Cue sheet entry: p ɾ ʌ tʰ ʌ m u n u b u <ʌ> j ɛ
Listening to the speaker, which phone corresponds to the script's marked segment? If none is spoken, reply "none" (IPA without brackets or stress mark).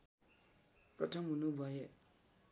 a